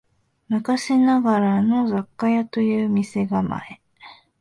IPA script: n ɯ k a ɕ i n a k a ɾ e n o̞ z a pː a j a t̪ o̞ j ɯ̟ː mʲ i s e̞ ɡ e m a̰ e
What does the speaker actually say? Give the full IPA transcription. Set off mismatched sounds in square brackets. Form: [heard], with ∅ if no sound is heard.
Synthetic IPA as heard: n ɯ k a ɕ i n a [ɡ] a ɾ [a] n o̞ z a [kː] a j a t̪ o̞ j ɯ̟ː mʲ i s e̞ ɡ [a] m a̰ e